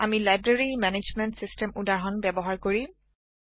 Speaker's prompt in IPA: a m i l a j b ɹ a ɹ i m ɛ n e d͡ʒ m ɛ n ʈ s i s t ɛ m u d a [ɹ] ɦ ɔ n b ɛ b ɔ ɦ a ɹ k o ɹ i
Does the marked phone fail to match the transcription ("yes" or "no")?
no